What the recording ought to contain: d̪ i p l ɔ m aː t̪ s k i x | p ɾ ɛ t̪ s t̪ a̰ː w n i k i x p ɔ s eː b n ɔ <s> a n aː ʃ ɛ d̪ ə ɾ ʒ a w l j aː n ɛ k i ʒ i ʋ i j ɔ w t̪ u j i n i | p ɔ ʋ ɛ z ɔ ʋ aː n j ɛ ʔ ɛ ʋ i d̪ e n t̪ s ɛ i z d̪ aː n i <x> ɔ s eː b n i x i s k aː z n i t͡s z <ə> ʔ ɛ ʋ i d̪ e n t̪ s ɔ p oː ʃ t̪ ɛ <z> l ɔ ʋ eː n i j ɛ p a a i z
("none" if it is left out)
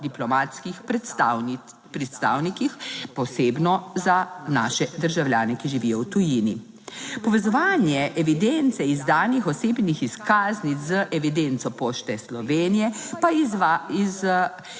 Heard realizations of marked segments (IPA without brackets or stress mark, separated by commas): z, x, ə, s